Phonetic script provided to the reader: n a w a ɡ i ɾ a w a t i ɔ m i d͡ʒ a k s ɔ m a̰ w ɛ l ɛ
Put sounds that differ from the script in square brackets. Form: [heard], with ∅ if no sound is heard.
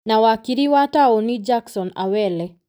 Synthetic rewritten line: n a w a [k] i ɾ [i] w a t [a] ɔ [n] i d͡ʒ a k s ɔ [n] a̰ w ɛ l ɛ